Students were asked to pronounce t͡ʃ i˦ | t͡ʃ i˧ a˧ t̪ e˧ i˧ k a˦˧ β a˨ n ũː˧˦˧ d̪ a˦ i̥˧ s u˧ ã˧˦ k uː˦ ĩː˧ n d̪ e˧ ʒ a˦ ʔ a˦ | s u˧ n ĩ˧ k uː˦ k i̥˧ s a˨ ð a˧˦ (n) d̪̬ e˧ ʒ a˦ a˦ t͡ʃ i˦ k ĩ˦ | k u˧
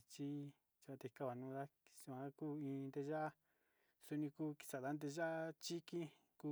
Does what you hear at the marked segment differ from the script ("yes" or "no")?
no